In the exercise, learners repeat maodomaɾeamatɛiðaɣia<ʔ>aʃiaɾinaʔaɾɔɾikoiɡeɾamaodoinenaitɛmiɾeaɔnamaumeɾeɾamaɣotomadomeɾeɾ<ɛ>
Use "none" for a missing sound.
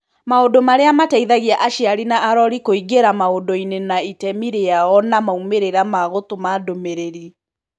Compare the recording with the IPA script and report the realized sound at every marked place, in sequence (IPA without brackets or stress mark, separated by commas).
ʔ, i